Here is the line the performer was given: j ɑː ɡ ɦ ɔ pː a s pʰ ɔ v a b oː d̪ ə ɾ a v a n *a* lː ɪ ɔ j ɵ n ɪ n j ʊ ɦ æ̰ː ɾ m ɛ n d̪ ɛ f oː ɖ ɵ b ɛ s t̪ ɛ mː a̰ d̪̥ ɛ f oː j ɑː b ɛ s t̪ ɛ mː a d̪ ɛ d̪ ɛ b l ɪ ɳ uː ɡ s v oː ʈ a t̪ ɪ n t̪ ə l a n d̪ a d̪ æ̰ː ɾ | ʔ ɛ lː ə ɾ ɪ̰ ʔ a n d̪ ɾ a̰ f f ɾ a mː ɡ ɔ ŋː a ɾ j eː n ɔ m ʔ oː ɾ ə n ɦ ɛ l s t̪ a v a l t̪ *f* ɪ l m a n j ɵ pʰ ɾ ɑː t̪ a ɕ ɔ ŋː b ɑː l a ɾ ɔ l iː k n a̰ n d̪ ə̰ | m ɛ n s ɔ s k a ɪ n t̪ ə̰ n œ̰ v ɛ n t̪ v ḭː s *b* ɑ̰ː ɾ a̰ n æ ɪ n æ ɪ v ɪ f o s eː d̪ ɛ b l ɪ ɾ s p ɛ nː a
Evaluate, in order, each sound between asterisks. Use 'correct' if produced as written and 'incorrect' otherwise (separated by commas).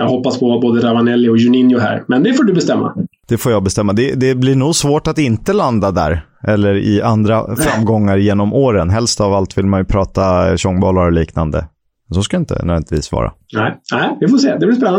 incorrect, incorrect, incorrect